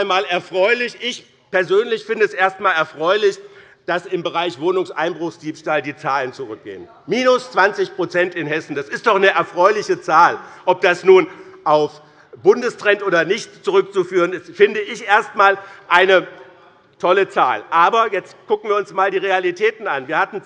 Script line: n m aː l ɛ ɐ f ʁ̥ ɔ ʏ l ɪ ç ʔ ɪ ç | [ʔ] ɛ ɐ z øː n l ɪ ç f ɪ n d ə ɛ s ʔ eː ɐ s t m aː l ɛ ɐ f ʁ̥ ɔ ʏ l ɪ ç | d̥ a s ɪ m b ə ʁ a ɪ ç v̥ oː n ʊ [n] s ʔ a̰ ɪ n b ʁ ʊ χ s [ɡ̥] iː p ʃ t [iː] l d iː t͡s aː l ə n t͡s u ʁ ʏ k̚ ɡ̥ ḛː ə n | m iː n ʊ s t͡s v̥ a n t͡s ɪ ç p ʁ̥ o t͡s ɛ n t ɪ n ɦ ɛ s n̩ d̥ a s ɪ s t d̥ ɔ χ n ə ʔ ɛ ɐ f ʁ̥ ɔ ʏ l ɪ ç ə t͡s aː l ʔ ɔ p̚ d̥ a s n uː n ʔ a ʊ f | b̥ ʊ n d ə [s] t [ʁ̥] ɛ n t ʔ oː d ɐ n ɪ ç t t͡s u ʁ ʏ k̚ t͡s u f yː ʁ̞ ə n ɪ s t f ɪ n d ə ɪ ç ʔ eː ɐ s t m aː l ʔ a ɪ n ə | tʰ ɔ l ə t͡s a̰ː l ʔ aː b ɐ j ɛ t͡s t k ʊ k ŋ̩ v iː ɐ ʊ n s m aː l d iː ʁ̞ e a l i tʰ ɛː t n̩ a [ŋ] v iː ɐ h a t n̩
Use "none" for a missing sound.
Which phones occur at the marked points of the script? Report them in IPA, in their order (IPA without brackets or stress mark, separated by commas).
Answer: p, ŋ, d̥, aː, s, ʁ̥, n